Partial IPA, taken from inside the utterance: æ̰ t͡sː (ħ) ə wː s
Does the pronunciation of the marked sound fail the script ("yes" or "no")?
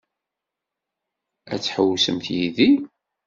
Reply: no